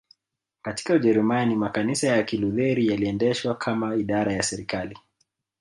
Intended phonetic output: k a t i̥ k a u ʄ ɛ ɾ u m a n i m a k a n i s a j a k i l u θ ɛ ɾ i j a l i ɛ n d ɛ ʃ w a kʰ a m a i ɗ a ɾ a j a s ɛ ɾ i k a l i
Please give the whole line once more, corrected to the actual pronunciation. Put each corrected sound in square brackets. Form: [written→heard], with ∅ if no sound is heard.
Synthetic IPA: k a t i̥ k a u ʄ ɛ ɾ u m a n i m a k a n i s a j a k i l u [θ→ð] ɛ ɾ i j a l i ɛ n d ɛ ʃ w a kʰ a m a i ɗ a ɾ a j a s ɛ ɾ i k a l i